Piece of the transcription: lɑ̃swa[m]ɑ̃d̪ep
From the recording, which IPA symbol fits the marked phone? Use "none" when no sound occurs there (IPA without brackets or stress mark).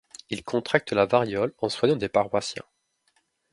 ɲ